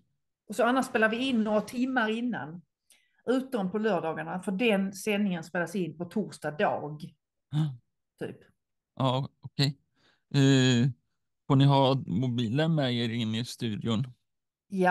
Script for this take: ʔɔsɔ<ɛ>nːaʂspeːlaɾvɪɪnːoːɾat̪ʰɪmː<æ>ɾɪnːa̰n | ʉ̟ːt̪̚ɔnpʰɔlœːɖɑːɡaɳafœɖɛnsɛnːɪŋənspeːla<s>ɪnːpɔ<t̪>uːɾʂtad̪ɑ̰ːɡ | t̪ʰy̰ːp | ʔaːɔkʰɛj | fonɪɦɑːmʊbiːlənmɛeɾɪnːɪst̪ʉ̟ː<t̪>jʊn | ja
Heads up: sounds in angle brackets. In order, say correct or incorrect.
incorrect: a, incorrect: a, correct, incorrect: t̪ʰ, incorrect: d̪

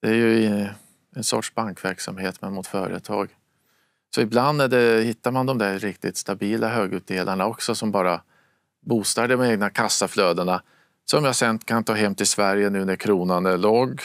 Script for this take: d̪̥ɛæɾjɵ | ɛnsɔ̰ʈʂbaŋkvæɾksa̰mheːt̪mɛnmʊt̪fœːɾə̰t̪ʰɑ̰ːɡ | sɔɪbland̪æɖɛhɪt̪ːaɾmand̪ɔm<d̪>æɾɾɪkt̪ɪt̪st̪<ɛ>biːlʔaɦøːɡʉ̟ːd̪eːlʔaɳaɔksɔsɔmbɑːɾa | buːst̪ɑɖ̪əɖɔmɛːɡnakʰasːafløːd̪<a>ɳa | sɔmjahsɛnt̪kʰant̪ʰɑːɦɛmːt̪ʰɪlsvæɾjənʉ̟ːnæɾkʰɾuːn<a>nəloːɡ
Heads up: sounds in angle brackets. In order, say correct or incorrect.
correct, incorrect: a, incorrect: ə, correct

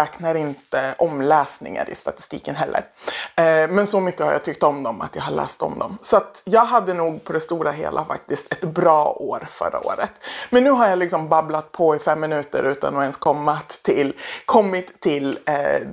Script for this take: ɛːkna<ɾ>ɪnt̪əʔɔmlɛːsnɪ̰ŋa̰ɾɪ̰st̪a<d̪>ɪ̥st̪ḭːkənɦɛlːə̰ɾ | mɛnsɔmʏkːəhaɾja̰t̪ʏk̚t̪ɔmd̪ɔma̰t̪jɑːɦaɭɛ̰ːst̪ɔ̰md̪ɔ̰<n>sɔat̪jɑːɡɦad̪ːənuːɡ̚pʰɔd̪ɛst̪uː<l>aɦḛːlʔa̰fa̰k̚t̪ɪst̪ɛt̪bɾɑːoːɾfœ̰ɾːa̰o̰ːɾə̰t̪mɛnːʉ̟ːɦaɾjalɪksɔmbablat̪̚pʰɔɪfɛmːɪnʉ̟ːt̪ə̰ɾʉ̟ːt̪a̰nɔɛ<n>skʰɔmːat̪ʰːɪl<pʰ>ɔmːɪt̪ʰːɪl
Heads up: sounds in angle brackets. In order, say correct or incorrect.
correct, incorrect: t̪, incorrect: m, incorrect: ɾ, correct, incorrect: kʰ

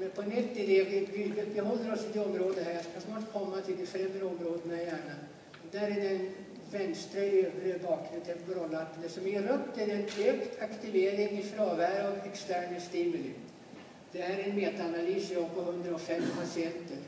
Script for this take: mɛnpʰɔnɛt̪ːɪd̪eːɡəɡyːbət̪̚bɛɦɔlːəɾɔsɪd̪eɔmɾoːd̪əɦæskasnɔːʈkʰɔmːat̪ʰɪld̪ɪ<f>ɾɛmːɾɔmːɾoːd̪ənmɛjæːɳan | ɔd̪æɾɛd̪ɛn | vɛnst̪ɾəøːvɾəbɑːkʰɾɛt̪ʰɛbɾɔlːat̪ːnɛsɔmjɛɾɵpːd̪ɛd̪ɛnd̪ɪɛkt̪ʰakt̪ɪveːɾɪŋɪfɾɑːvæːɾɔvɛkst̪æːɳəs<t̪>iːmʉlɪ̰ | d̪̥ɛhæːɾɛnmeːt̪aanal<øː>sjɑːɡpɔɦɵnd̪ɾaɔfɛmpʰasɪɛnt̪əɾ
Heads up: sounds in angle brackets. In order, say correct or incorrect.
correct, correct, incorrect: yː

